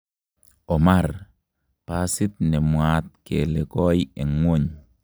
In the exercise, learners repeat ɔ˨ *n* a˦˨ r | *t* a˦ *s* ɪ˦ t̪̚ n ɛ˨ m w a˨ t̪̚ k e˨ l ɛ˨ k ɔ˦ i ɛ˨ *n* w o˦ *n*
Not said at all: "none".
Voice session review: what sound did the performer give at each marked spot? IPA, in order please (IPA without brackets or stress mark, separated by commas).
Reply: m, p, s, ŋ, ɲ